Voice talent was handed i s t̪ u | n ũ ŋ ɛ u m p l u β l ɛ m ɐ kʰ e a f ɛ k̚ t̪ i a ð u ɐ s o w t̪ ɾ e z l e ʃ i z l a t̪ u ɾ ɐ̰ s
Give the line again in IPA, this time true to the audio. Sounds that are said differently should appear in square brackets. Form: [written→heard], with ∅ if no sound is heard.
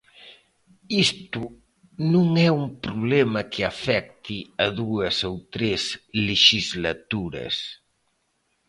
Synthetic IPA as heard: i s t̪ u | n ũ ŋ ɛ u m p [l→ɾ] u β l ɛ m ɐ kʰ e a f ɛ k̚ t̪ i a ð u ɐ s o w t̪ ɾ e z l e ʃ i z l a t̪ u ɾ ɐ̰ s